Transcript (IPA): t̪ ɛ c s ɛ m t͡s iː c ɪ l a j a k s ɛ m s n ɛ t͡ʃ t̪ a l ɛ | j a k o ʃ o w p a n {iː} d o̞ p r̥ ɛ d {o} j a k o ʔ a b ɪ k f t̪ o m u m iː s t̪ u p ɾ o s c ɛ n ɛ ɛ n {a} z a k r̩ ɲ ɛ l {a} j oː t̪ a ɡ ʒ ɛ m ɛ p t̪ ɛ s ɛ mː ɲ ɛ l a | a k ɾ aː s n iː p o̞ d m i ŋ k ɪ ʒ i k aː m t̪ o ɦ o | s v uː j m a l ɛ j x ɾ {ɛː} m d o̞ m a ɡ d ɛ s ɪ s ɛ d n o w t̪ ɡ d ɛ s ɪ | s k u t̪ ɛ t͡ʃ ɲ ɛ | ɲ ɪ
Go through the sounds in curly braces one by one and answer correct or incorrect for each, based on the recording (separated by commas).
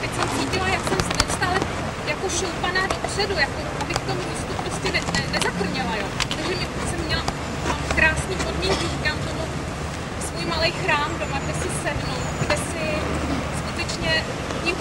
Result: incorrect, incorrect, incorrect, correct, incorrect